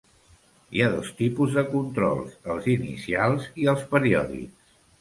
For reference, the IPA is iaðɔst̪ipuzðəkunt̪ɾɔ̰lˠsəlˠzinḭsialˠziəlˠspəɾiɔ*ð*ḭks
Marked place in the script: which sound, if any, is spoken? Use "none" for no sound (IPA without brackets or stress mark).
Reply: ð